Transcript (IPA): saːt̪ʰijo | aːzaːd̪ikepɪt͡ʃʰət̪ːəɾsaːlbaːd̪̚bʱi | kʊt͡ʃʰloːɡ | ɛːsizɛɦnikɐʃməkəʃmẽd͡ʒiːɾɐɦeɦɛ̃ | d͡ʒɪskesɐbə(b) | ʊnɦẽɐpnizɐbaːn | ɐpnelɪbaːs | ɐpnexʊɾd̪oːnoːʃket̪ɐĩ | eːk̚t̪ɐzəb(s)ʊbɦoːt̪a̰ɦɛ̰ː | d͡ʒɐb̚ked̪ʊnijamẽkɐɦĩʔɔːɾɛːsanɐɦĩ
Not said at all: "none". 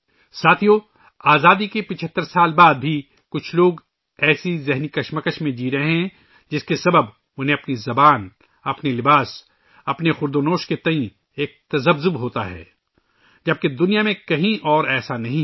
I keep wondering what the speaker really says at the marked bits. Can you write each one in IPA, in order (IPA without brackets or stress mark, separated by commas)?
b, z